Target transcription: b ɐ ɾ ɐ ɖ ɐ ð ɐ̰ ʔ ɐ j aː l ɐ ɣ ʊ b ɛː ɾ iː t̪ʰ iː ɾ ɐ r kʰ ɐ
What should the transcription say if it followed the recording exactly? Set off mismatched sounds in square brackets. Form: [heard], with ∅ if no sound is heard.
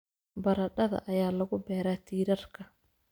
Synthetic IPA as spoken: b ɐ ɾ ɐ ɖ ɐ ð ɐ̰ ʔ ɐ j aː l ɐ ɣ ʊ b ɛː ɾ [aː] t̪ʰ iː ɾ ɐ r kʰ ɐ